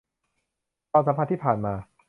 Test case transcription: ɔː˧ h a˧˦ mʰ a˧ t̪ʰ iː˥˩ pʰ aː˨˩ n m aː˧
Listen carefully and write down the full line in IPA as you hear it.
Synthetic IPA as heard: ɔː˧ s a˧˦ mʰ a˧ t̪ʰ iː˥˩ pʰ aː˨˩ n m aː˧

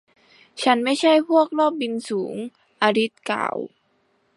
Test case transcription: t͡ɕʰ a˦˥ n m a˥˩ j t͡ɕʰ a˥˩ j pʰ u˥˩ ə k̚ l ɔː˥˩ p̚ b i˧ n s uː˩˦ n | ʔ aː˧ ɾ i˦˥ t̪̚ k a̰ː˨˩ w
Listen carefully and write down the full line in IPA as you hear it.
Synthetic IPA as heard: t͡ɕʰ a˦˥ n m a˥˩ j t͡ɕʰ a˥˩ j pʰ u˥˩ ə k̚ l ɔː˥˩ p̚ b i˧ n s uː˩˦ ŋ | ʔ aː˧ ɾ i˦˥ t̪̚ k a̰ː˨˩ w

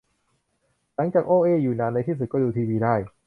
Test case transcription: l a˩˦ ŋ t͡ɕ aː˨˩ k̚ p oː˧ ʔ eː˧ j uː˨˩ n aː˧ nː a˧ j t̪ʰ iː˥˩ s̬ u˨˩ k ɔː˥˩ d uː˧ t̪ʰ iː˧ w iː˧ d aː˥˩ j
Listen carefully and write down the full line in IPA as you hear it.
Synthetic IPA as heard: l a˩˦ ŋ t͡ɕ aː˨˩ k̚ ʔ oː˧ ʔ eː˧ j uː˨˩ n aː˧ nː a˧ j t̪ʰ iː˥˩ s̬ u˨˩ k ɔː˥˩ d uː˧ t̪ʰ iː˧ w iː˧ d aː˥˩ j

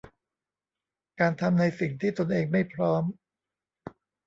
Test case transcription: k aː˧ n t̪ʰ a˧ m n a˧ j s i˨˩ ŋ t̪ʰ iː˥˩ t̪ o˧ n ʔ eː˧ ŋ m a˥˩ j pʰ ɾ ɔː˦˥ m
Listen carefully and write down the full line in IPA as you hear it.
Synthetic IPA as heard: k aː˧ n t̪ʰ a˧ m n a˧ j s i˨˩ ŋ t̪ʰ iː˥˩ t̪ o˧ n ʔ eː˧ ŋ m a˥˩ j pʰ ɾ ɔː˦˥ m

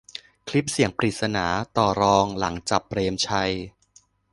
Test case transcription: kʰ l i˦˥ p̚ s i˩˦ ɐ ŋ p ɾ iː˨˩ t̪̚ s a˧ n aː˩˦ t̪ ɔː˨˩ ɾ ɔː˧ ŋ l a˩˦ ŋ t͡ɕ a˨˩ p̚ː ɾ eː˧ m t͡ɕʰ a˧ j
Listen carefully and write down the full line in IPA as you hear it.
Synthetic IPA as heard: kʰ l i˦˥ p̚ s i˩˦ ə ŋ p ɾ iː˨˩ t̪̚ s a˧ n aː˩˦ t̪ ɔː˨˩ ɾ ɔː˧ ŋ l a˩˦ ŋ t͡ɕ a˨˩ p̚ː ɾ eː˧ m t͡ɕʰ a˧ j

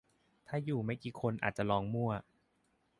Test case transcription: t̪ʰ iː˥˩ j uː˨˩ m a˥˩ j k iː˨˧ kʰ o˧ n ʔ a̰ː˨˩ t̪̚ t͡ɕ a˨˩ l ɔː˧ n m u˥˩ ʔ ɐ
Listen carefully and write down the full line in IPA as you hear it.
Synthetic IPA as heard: t̪ʰ aː˥˩ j uː˨˩ m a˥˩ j k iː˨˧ kʰ o˧ n ʔ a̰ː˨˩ t̪̚ t͡ɕ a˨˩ l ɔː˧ ŋ m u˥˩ ɐ

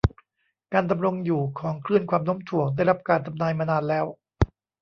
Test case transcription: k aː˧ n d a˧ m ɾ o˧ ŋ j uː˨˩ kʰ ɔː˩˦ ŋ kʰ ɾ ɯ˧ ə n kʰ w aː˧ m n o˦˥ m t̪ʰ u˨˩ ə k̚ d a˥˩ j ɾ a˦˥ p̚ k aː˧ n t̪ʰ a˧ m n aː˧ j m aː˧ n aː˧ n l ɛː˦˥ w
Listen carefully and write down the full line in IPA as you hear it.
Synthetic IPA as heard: k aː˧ n d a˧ m ɾ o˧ ŋ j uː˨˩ kʰ ɔː˩˦ ŋ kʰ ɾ ɯ˥˩ ə n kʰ w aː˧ m n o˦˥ m t̪ʰ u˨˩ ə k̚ d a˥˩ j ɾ a˦˥ p̚ k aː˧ n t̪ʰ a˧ m n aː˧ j m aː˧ n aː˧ n l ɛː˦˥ w

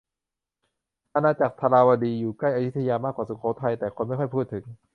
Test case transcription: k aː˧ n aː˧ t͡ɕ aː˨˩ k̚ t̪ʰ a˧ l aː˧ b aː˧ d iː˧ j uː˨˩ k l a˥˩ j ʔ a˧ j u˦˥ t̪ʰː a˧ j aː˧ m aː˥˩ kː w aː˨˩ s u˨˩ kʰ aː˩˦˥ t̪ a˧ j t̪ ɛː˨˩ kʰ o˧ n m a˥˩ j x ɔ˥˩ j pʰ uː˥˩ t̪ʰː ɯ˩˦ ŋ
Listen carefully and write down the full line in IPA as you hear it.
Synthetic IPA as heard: ʔ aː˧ n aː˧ t͡ɕ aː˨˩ k̚ t̪ʰ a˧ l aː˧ w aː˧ d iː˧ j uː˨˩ k l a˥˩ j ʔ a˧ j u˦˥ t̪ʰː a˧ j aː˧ m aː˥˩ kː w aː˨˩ s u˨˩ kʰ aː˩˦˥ t̪ʰ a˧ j t̪ ɛː˨˩ kʰ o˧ n m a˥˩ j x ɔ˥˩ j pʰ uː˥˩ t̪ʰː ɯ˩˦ ŋ

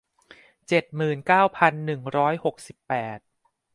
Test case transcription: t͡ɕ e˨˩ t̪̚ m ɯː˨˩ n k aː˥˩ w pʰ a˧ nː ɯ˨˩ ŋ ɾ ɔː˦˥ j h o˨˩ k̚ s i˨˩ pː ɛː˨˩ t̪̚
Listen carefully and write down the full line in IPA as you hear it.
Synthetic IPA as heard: t͡ɕ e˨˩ t̪̚ m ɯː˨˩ n k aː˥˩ w pʰ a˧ nː ɯ˨˩ ŋ ɾ ɔː˦˥ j h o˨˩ k̚ s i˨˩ pː ɛː˨˩ t̪̚

